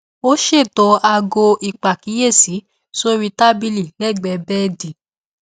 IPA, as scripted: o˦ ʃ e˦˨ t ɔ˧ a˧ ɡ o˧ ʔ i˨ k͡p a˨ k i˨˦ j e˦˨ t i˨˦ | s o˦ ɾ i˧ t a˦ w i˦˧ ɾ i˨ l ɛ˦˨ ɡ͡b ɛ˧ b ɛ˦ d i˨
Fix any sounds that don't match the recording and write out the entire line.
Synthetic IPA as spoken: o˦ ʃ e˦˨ t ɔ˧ a˧ ɡ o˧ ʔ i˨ k͡p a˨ k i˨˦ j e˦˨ s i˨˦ | s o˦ ɾ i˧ t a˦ b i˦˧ l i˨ l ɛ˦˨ ɡ͡b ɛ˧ b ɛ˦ d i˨